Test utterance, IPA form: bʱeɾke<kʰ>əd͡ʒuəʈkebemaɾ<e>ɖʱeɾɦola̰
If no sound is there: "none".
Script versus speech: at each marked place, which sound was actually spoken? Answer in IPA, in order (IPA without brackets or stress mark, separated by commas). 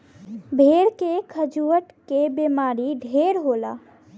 kʰ, i